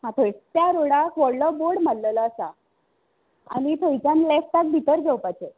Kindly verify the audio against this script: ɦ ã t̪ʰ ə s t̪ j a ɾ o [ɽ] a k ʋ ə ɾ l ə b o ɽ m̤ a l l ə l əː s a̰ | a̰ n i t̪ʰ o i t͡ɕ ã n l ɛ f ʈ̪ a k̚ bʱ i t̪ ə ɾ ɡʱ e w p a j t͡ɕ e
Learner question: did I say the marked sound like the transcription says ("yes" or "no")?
yes